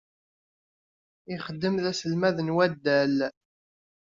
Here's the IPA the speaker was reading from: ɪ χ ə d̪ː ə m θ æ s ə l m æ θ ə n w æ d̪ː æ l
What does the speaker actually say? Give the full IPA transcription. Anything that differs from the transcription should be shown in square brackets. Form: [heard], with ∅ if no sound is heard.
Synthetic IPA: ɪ χ ə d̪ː ə m [ð] æ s ə l m æ [ð] ə n w æ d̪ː æ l